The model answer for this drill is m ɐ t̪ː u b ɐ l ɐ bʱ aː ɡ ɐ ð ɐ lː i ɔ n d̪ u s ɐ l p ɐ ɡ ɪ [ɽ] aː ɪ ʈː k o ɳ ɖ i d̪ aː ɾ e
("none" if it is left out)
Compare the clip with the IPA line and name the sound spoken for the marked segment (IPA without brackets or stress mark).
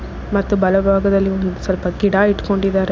ɽ